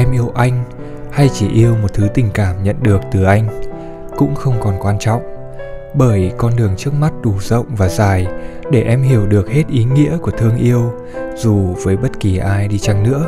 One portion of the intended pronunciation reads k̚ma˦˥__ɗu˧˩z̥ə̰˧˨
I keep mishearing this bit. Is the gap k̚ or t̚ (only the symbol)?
t̚